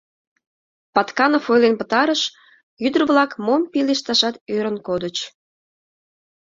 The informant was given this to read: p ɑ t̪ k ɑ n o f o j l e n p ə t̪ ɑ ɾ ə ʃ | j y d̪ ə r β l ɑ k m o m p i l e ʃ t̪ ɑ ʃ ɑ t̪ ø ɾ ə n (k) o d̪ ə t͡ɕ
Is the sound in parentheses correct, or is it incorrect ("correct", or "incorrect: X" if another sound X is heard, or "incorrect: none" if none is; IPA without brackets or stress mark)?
correct